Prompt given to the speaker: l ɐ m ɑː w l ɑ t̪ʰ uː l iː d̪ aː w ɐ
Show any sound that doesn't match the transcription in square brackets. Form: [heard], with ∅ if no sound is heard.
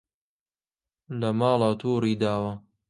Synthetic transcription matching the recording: l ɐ m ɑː [∅] l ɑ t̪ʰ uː [ɾ] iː d̪ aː w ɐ